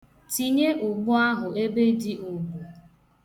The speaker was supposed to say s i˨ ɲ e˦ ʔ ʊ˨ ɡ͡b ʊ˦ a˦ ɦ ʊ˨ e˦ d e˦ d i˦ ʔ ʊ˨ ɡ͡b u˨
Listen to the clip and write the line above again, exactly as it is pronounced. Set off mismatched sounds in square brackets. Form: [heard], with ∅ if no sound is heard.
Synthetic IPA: [t] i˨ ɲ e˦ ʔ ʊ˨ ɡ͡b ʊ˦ a˦ ɦ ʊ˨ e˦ [b] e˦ d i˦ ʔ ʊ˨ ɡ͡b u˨